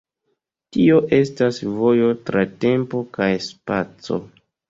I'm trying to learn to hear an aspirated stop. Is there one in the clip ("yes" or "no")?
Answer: no